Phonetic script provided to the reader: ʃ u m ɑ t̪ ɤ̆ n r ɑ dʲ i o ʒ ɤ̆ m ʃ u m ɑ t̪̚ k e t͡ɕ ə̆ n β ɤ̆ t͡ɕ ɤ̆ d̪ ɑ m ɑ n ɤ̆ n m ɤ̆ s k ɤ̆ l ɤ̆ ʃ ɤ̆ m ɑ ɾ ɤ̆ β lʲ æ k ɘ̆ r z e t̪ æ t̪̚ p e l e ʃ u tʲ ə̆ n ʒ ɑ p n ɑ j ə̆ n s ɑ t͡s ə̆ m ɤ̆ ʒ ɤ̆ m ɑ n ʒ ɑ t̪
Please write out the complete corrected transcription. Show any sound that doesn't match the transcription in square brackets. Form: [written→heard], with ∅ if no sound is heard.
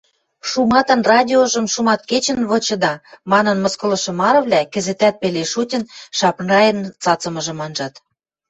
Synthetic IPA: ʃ u m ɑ t̪ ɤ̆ n r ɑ dʲ i o ʒ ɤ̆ m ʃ u m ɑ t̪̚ k e t͡ɕ ə̆ n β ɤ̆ t͡ɕ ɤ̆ d̪ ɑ m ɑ n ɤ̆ n m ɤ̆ s k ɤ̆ l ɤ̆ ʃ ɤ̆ m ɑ ɾ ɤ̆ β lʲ æ k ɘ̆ [r→∅] z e t̪ æ t̪̚ p e l e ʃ u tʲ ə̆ n [ʒ→ʃ] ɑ p n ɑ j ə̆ n [s→t͡s] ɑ t͡s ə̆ m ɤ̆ ʒ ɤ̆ m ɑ n ʒ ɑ t̪